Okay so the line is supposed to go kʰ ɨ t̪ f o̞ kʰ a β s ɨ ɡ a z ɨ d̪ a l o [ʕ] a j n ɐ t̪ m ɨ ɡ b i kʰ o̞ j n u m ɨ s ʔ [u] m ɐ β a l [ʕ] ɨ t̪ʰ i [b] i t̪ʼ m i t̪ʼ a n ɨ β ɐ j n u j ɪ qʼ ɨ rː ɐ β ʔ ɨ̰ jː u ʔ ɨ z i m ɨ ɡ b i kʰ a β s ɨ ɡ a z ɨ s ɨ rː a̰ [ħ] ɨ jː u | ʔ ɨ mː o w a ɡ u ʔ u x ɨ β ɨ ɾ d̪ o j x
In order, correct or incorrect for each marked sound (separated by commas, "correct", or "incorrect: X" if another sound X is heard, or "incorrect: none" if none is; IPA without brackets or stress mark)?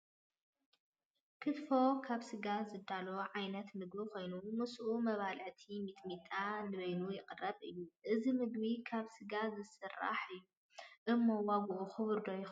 correct, correct, correct, incorrect: m, correct